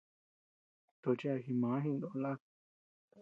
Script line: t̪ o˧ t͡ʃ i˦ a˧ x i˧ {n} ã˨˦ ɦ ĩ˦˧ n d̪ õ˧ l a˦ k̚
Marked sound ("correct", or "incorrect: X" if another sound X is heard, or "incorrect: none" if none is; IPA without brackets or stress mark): incorrect: m